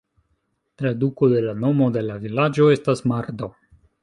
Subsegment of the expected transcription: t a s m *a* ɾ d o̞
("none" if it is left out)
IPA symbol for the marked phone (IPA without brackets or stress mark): a